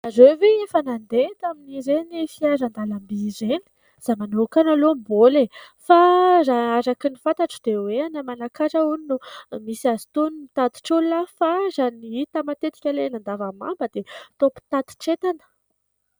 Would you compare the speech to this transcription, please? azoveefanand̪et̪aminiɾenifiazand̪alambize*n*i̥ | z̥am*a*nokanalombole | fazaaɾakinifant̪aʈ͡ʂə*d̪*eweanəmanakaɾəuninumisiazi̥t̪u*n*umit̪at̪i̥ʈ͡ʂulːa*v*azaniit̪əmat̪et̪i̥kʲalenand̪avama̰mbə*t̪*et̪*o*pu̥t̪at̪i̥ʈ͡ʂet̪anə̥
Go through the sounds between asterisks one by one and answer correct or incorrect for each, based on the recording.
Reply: correct, correct, correct, correct, incorrect: f, incorrect: d̪, correct

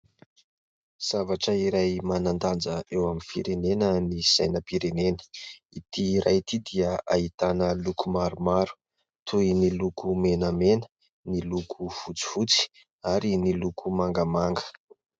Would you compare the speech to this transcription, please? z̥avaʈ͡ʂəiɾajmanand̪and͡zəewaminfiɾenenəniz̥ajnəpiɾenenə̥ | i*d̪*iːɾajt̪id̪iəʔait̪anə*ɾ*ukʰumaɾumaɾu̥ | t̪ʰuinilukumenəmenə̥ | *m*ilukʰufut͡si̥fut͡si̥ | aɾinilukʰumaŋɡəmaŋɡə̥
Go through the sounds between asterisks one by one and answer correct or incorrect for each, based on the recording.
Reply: incorrect: t̪, incorrect: l, incorrect: n

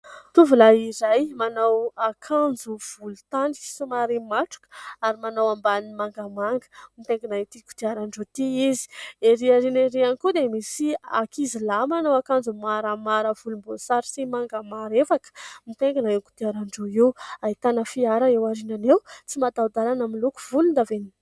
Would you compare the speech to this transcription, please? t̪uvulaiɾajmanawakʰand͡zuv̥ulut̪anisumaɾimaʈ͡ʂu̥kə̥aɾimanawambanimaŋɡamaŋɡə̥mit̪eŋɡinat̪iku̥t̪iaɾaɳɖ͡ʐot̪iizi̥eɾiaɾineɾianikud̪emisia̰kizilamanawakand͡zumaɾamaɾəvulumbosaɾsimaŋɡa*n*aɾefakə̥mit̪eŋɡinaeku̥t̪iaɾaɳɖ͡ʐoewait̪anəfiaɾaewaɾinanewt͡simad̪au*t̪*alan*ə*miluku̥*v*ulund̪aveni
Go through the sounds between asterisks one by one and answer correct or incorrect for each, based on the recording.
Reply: incorrect: m, incorrect: d̪, incorrect: a, correct

